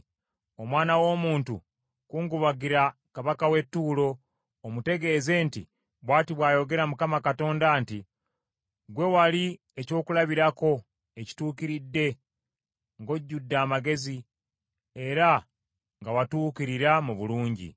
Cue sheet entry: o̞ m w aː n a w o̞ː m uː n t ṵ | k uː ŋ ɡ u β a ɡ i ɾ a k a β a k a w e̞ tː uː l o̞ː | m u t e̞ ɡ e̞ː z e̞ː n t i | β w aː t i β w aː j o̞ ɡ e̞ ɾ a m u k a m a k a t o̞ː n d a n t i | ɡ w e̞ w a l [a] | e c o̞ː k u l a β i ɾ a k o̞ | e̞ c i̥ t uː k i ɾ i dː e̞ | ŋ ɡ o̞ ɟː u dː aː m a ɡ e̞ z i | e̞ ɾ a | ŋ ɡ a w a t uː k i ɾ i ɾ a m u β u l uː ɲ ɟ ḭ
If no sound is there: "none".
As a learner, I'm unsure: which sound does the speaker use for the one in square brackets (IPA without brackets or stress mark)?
i